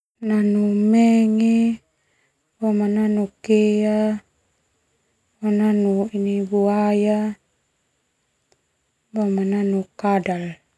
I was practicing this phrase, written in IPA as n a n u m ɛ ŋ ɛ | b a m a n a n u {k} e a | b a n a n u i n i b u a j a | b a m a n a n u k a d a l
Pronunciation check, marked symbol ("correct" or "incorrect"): correct